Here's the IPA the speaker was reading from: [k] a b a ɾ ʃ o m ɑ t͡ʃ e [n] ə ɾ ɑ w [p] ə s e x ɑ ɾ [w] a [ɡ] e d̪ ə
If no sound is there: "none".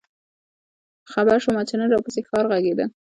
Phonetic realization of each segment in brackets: x, n, p, ɣ, ɡ

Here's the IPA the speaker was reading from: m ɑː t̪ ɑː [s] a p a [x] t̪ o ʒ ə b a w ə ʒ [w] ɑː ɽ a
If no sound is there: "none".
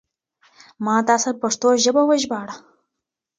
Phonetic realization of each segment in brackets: s, ʂ, b

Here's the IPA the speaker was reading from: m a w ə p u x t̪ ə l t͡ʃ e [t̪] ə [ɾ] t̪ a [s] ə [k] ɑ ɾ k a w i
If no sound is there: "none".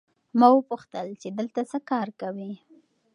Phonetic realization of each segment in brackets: d̪, l, s, k

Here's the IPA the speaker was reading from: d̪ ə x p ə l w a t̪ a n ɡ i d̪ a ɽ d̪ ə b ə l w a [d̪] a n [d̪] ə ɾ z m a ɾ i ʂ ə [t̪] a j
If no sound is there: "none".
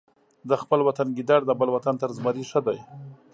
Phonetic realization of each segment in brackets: t̪, t̪, d̪

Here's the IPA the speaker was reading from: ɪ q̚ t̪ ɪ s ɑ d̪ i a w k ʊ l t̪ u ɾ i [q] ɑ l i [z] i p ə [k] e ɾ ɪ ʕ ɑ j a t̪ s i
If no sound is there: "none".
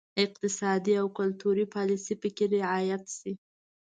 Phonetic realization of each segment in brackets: p, s, k

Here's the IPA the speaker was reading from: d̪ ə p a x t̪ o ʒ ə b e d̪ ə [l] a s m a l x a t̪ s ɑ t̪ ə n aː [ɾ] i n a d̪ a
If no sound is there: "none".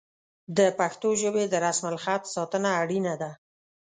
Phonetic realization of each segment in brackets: ɾ, ɽ

